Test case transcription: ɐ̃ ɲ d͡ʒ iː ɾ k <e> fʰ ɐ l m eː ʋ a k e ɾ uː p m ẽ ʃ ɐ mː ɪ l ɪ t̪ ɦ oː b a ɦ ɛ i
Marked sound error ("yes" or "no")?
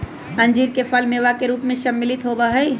no